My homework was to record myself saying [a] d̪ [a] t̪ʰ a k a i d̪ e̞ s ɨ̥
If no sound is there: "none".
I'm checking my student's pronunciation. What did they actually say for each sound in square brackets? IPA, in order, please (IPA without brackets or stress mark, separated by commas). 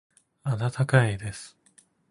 a, a